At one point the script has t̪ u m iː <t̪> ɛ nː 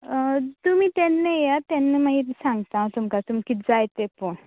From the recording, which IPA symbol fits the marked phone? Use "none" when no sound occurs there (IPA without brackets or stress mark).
t̪